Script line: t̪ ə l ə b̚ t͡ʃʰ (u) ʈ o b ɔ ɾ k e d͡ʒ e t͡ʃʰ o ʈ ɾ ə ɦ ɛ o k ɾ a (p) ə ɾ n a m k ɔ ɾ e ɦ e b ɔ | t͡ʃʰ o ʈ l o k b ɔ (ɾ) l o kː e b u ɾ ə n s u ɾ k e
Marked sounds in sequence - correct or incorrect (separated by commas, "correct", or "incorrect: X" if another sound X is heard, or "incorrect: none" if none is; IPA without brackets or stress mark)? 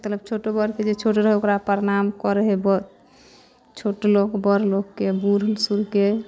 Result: incorrect: o, correct, correct